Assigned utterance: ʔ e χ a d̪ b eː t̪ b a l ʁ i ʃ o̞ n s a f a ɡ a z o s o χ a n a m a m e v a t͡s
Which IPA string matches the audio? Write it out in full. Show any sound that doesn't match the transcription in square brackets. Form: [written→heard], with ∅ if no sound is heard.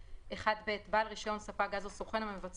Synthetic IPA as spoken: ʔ e χ a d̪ b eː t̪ b a l ʁ i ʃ o̞ n s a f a ɡ a z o s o χ [a→e] n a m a m e v a t͡s